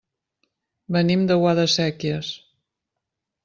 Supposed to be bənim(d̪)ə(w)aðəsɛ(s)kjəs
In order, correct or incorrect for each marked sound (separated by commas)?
correct, correct, incorrect